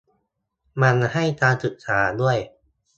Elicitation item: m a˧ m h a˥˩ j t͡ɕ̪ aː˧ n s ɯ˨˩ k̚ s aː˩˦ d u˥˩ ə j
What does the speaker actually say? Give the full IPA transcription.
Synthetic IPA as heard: m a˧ n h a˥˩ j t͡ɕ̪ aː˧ n s ɯ˨˩ k̚ s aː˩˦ d u˥˩ ə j